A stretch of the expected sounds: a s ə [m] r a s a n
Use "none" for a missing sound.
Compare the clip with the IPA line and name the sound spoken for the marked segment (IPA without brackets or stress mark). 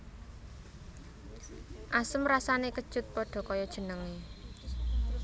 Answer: m